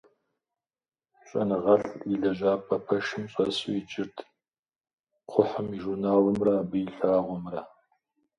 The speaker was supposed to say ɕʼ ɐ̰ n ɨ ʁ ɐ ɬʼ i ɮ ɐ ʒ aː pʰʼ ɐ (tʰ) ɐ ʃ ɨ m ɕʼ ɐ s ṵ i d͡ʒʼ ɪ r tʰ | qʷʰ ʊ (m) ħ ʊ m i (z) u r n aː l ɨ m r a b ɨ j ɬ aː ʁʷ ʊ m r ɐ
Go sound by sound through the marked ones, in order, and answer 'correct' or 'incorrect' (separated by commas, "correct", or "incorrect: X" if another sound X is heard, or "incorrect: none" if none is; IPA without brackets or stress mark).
incorrect: pʰ, incorrect: none, incorrect: ʒ